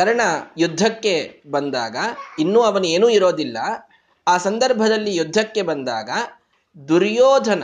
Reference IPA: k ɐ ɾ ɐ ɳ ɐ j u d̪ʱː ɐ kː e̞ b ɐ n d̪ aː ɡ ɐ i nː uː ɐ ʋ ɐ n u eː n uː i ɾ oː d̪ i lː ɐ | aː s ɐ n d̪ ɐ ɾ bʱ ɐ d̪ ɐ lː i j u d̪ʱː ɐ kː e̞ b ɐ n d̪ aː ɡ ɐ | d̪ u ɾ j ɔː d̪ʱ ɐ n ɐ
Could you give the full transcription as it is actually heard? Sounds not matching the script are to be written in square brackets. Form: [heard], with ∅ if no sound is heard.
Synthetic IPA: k ɐ ɾ ɐ ɳ ɐ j u d̪ʱː ɐ kː e̞ b ɐ n d̪ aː ɡ ɐ i nː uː ɐ ʋ ɐ n u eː n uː i ɾ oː d̪ i lː ɐ | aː s ɐ n d̪ ɐ ɾ bʱ ɐ d̪ ɐ lː i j u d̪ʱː ɐ kː e̞ b ɐ n d̪ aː ɡ ɐ | d̪ u ɾ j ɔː d̪ʱ ɐ n ɐ